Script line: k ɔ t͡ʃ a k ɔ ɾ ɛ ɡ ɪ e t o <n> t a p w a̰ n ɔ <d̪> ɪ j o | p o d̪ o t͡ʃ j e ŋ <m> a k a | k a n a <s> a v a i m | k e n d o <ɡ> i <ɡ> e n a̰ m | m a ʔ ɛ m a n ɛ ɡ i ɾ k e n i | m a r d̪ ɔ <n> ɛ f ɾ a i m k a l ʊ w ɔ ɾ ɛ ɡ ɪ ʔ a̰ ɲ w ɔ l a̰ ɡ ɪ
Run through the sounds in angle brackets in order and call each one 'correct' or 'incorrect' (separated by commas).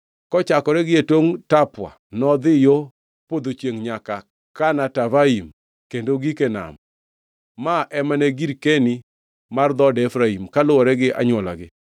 incorrect, correct, incorrect, incorrect, correct, incorrect, incorrect